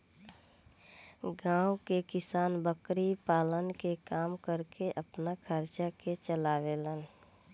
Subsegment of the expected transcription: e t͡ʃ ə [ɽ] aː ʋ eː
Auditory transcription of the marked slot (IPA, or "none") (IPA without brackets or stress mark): l